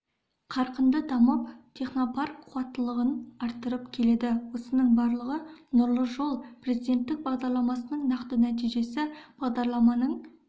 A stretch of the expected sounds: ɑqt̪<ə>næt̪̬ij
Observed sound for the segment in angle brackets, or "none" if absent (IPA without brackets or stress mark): ə